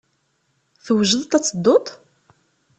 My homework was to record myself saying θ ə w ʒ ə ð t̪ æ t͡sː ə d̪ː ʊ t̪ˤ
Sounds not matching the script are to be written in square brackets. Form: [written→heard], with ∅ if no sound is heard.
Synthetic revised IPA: θ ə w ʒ ə ð t̪ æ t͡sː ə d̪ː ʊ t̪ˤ